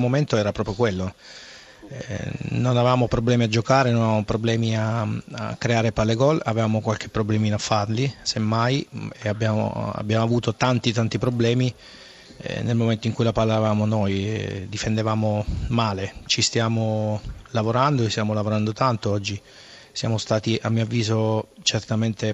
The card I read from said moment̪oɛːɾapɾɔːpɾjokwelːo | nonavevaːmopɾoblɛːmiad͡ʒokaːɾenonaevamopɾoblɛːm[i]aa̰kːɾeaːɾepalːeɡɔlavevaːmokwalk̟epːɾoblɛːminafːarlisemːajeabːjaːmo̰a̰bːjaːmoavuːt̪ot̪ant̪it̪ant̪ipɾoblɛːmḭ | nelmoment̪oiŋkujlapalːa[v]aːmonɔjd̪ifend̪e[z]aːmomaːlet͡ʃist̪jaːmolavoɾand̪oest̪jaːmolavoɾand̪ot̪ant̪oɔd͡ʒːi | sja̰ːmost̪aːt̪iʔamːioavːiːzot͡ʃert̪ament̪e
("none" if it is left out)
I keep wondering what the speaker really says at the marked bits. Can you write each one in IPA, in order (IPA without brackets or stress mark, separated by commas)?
i, v, v